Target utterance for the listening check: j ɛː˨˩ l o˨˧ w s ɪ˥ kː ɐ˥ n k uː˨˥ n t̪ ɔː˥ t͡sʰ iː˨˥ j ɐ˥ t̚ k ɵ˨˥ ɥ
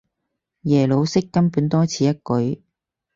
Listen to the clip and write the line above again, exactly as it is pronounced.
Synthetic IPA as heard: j ɛː˨˩ l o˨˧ w s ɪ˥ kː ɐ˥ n p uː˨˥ n t̪ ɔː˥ t͡sʰ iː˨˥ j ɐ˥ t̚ k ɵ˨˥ ɥ